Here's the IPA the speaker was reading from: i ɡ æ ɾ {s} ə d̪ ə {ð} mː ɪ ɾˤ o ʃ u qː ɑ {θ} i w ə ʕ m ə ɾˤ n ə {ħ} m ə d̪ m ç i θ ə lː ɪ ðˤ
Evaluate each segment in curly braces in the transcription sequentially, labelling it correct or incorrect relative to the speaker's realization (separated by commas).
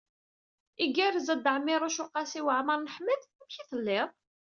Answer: incorrect, incorrect, incorrect, correct